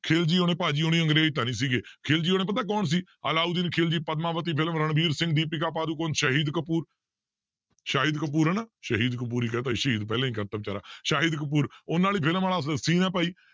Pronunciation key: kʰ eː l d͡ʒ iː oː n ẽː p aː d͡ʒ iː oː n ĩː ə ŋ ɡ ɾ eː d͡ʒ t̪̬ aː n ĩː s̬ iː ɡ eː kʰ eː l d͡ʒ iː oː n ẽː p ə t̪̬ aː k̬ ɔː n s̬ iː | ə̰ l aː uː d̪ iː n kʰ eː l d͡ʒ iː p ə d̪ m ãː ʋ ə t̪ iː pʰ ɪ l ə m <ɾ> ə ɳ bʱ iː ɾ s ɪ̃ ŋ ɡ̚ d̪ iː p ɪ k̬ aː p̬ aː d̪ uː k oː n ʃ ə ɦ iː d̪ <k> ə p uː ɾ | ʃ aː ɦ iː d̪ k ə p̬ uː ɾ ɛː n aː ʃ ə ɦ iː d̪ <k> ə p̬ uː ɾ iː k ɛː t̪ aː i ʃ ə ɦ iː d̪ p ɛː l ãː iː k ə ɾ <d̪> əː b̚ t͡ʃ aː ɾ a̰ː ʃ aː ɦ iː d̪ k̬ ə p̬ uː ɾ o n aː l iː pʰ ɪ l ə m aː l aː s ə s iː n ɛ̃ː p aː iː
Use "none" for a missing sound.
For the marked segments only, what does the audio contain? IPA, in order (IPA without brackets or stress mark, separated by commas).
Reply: ɾ, k, k, t̪